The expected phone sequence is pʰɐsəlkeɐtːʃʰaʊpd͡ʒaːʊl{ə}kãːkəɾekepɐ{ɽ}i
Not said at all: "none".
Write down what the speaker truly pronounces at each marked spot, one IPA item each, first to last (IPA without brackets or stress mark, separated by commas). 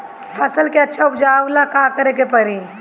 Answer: a, ɾ